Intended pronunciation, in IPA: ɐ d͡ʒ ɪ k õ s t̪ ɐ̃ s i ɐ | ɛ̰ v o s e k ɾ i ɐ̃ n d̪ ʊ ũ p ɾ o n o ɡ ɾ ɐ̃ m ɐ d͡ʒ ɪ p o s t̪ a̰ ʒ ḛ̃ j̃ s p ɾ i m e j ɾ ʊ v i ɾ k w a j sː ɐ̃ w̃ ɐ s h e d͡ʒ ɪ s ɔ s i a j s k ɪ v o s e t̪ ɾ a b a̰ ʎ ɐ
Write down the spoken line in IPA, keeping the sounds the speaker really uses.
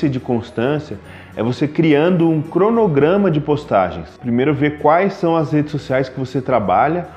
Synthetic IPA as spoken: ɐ d͡ʒ ɪ k õ s t̪ ɐ̃ s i ɐ | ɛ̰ v o s e k ɾ i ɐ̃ n d̪ ʊ ũ k ɾ o n o ɡ ɾ ɐ̃ m ɐ d͡ʒ ɪ p o s t̪ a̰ ʒ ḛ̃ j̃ s p ɾ i m e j ɾ ʊ v e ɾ k w a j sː ɐ̃ w̃ ɐ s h e d͡ʒ ɪ s o s i a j s k ɪ v o s e t̪ ɾ a b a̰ ʎ ɐ

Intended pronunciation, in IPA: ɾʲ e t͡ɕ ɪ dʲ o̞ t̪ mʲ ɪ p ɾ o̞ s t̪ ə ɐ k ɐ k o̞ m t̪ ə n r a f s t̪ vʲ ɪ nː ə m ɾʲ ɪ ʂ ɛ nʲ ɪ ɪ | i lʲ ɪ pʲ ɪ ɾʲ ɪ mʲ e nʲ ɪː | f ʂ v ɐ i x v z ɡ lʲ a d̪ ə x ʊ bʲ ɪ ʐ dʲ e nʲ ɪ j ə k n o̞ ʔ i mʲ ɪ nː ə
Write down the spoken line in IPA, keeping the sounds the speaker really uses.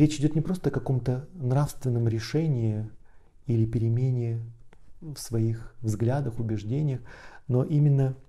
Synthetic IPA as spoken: ɾʲ e t͡ɕ ɪ dʲ o̞ t̪ nʲ ɪ p ɾ o̞ s t̪ ə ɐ k ɐ k o̞ m t̪ ə n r a f s t̪ vʲ ɪ nː ə m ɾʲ ɪ ʂ ɛ nʲ ɪ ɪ | i lʲ ɪ pʲ ɪ ɾʲ ɪ mʲ e nʲ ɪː | f s v ɐ i x v z ɡ lʲ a d̪ ə x ʊ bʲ ɪ ʐ dʲ e nʲ ɪ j ə x n o̞ ʔ i mʲ ɪ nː ə

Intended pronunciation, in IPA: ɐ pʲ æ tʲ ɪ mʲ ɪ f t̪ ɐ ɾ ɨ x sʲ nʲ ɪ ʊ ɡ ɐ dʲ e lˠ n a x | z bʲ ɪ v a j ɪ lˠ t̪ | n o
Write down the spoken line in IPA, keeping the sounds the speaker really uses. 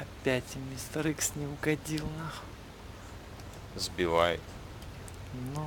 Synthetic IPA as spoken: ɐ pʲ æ tʲ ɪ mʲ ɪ s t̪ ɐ ɾ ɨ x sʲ nʲ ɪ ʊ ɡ ɐ dʲ i lˠ n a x | z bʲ ɪ v a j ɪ t̪ | n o

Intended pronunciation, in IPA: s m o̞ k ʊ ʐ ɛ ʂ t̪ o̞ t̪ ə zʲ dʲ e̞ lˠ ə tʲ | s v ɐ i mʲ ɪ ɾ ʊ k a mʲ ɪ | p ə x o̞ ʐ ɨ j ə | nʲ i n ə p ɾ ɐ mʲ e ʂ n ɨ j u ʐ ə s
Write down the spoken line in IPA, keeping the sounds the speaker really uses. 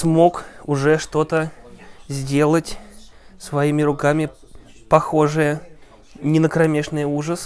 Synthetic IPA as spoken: s m o̞ k ʊ ʐ ɛ ʂ t̪ o̞ t̪ ə zʲ dʲ e̞ lˠ ə tʲ | s v ɐ i mʲ ɪ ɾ ʊ k a mʲ ɪ | p ɐ x o̞ ʐ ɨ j ə | nʲ ɪ n ə k ɾ ɐ mʲ e ʂ n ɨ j u ʐ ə s

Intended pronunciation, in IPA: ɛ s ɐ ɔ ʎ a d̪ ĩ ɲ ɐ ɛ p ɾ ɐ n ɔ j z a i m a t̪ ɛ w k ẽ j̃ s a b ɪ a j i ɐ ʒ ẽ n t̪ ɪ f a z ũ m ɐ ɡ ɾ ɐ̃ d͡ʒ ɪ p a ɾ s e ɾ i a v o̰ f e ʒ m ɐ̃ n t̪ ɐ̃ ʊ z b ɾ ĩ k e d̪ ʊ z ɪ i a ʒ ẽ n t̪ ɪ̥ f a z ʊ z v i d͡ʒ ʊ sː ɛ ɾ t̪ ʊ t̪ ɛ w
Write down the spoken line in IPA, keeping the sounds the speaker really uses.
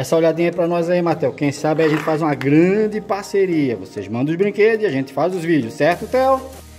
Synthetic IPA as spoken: ɛ s ɐ o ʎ a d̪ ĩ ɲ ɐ ɛ p ɾ ɐ n ɔ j z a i m a t̪ ɛ w k ẽ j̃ s a b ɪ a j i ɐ ʒ ẽ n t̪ ɪ f a z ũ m ɐ ɡ ɾ ɐ̃ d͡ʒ ɪ p a ɾ s e ɾ i ɐ v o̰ s e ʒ m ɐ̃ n d̪ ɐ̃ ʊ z b ɾ ĩ k e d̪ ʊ z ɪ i a ʒ ẽ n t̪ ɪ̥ f a z ʊ z v i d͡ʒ ʊ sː ɛ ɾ t̪ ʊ t̪ ɛ w

